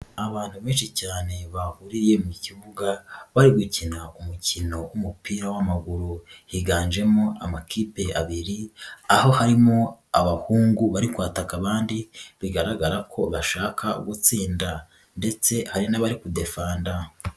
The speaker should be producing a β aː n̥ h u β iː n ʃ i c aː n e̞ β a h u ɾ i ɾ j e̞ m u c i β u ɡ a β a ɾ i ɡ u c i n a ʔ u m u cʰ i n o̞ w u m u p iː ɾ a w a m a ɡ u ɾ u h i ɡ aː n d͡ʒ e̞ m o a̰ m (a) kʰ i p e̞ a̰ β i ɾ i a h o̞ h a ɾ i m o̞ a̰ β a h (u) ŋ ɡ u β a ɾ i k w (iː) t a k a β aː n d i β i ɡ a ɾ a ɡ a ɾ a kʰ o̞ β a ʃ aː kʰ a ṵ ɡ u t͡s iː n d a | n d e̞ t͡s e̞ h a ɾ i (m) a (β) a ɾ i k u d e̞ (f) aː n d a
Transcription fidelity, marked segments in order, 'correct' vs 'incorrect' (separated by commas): correct, incorrect, incorrect, incorrect, correct, correct